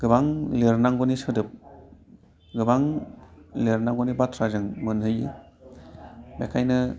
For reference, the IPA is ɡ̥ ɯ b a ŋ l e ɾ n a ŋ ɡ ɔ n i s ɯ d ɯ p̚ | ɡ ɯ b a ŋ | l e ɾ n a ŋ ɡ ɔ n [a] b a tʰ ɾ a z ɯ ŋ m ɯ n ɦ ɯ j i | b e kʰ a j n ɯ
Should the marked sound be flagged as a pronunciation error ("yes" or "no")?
yes